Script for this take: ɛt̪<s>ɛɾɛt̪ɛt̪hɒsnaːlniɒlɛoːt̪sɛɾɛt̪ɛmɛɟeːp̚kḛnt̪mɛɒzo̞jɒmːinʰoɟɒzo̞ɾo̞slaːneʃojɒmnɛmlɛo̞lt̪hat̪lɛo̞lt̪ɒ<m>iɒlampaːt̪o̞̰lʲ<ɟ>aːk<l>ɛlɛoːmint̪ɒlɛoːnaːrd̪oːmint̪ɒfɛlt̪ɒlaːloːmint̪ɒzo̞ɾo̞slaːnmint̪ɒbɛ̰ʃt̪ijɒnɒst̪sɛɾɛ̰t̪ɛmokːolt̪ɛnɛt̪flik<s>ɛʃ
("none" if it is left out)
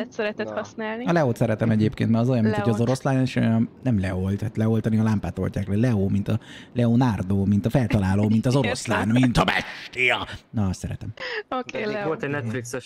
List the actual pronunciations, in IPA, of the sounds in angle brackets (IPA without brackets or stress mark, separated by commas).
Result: s, n, c, l, s